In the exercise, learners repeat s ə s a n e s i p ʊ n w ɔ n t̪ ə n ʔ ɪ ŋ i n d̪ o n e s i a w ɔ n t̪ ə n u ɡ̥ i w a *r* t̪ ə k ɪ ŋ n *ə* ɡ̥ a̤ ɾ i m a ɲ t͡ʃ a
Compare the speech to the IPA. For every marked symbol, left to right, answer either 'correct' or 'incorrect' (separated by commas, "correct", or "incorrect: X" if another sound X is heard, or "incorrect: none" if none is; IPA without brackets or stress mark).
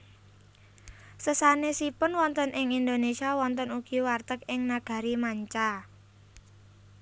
correct, incorrect: a